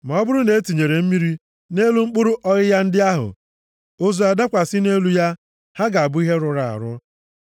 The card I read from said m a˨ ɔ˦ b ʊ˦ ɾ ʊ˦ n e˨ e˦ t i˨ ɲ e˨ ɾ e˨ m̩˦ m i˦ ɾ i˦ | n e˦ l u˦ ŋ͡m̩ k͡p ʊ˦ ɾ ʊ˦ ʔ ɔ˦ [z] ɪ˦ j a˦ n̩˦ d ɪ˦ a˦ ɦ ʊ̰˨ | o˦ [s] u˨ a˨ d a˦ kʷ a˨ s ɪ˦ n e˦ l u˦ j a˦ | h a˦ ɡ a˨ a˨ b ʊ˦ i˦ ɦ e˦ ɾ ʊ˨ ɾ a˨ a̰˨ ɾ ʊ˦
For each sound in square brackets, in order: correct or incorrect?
incorrect: ɣ, incorrect: z

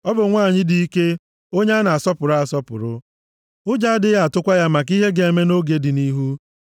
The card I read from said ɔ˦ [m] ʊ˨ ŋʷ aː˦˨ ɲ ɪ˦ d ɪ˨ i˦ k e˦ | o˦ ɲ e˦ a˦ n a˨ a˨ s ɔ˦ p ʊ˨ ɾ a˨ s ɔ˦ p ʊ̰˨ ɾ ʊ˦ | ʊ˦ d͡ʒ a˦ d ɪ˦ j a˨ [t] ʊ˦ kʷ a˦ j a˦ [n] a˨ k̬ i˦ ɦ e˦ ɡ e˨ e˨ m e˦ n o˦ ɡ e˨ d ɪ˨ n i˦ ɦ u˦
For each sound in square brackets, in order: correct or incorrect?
incorrect: b, correct, incorrect: m

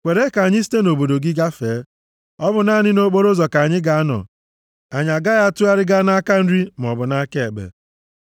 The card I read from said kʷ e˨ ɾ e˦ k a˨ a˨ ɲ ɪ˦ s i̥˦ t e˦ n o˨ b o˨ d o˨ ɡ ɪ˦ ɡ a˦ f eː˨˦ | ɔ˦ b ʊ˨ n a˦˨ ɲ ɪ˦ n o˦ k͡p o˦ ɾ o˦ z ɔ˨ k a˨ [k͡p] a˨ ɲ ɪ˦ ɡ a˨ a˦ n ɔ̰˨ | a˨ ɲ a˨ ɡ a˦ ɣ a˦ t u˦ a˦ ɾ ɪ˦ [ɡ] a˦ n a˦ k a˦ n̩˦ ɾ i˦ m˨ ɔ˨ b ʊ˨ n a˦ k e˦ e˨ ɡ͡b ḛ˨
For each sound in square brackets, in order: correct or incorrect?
incorrect: none, correct

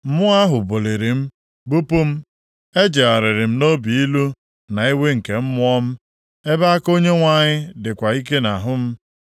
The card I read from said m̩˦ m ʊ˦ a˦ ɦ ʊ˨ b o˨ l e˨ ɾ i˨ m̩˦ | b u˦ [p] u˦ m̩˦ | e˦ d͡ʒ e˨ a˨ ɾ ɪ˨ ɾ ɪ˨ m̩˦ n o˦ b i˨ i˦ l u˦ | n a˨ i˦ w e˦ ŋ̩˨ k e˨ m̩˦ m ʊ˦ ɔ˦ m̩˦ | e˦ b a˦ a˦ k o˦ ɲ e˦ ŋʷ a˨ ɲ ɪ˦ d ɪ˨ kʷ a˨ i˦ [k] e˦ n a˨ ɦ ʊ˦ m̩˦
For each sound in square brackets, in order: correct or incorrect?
correct, correct

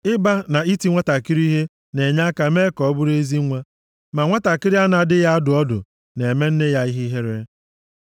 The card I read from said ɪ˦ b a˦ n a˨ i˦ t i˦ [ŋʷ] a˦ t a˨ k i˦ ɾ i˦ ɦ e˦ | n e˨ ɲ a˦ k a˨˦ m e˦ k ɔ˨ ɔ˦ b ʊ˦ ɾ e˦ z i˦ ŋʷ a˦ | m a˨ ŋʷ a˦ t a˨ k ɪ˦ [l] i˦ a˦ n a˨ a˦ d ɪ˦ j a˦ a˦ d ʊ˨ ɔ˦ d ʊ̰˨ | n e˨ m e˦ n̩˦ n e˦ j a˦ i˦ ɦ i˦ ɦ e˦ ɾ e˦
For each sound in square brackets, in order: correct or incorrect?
correct, incorrect: ɾ

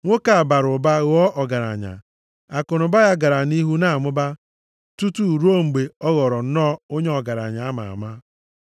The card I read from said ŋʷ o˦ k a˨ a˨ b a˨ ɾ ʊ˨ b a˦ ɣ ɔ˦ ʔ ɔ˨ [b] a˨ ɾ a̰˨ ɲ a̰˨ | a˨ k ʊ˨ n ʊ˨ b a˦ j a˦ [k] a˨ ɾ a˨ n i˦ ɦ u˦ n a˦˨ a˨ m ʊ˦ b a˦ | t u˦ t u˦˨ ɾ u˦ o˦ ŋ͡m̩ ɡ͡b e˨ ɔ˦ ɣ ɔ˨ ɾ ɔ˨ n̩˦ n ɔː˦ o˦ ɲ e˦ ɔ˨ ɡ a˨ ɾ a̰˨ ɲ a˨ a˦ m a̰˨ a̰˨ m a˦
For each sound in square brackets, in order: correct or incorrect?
incorrect: ɡ, incorrect: ɡ

